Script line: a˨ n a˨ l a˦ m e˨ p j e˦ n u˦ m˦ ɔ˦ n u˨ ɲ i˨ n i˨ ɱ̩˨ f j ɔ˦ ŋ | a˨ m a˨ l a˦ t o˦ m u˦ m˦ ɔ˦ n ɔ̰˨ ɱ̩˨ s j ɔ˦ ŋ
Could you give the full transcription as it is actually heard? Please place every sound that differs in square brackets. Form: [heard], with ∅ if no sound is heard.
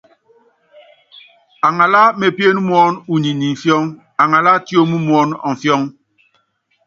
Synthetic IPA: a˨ [ŋ] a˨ l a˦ m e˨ p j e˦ n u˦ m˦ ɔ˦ n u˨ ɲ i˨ n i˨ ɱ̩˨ f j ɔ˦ ŋ | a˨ [ŋ] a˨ l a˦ t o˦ m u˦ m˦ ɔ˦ n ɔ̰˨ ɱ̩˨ [f] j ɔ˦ ŋ